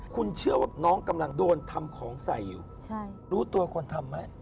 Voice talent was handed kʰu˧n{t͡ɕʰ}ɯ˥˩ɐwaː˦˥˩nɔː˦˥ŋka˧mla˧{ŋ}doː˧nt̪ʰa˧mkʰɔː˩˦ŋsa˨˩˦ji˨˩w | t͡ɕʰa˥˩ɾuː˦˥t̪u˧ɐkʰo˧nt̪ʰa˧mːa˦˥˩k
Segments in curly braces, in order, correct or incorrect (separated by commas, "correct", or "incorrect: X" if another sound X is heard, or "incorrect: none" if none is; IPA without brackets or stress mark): correct, correct